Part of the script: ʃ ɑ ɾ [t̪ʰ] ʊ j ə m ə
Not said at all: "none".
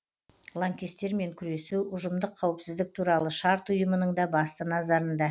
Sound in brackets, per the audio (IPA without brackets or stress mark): t̪